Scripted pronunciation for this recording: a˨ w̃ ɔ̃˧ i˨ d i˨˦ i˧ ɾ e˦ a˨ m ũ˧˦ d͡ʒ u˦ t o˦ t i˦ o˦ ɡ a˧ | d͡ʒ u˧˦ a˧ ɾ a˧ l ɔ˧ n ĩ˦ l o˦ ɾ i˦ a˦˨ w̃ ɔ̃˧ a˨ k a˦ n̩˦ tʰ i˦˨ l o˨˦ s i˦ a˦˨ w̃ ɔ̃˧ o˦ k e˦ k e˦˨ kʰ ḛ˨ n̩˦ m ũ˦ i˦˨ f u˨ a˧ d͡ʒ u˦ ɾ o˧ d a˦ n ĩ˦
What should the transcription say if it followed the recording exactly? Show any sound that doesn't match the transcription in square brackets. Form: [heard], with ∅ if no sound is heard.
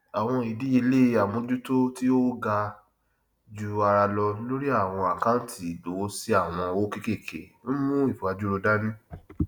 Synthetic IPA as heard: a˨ w̃ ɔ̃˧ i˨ d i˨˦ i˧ [l] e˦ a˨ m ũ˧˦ d͡ʒ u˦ t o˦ t i˦ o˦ ɡ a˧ | d͡ʒ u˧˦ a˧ ɾ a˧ l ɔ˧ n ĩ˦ l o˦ ɾ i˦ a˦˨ w̃ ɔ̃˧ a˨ k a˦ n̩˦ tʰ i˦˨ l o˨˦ s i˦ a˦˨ w̃ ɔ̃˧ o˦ k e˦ k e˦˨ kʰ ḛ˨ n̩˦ m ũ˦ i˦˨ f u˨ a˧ d͡ʒ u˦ ɾ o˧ d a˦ n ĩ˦